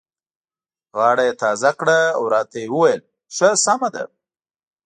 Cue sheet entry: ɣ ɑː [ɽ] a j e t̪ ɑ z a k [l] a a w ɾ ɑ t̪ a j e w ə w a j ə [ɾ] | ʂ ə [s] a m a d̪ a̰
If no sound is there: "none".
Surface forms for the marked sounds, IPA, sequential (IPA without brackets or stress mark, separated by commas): ɽ, ɽ, l, s